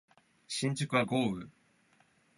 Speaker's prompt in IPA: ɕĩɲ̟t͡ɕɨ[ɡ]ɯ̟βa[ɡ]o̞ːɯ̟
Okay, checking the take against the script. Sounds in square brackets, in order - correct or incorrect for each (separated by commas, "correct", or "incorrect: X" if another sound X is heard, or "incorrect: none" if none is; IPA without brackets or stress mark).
incorrect: k, correct